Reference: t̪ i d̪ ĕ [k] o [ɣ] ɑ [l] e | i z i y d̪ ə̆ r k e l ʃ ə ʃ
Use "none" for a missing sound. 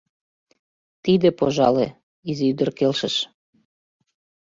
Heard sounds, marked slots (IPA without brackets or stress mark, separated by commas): p, ʒ, l